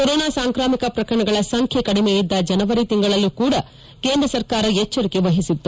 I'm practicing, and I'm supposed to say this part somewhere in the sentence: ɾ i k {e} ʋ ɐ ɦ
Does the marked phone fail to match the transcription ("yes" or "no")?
no